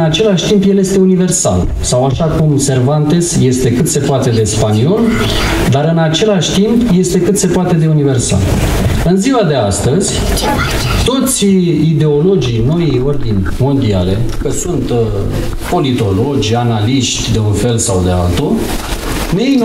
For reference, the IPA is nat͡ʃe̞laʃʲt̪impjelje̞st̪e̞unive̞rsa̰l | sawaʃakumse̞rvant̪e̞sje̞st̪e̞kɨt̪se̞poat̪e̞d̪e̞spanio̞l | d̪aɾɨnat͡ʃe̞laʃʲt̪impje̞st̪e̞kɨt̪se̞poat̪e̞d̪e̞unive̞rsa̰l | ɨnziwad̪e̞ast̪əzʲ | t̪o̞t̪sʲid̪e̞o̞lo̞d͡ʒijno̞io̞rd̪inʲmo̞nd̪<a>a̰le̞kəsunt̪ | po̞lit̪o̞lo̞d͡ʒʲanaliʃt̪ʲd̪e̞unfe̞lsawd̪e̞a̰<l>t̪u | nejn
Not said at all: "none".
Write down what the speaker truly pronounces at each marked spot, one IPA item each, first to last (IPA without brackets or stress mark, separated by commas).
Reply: i, l